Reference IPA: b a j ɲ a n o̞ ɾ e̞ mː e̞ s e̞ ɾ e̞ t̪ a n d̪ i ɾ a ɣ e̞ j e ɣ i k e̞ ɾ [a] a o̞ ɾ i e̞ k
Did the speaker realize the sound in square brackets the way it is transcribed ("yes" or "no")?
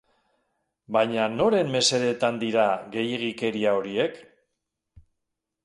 no